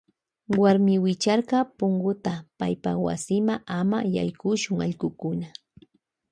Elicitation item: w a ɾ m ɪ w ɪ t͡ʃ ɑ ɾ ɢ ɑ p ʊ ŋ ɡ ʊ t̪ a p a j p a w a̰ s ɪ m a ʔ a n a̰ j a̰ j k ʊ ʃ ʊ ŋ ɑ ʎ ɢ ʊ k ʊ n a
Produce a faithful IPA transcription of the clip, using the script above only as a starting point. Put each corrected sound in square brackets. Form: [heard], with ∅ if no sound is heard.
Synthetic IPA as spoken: w a ɾ m ɪ w ɪ t͡ʃ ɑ ɾ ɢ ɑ p ʊ ŋ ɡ ʊ t̪ a p a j p a w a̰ s ɪ m a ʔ a [m] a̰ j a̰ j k ʊ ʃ ʊ ŋ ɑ ʎ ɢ ʊ k ʊ n a